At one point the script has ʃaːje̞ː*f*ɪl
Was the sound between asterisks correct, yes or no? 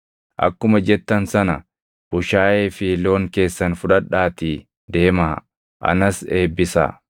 yes